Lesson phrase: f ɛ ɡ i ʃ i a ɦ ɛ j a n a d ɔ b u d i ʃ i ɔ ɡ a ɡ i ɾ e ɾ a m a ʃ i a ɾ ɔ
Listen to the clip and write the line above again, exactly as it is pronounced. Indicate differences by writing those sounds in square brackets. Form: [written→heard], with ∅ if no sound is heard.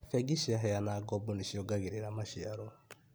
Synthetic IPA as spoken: f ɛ ɡ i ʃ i a ɦ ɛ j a n a [d→ɡ] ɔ b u [d→n] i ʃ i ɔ ɡ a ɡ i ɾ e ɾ a m a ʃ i a ɾ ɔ